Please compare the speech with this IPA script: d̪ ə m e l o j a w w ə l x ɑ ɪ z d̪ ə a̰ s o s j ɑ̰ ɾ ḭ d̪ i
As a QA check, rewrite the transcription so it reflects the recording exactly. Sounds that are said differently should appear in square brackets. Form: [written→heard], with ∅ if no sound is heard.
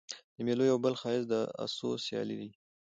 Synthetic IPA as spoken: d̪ ə m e l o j a w [w→b] ə l x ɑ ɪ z d̪ ə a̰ s o s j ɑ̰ [ɾ→l] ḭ d̪ i